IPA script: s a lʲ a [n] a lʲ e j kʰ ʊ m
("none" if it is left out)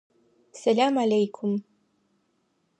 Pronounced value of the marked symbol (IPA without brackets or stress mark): m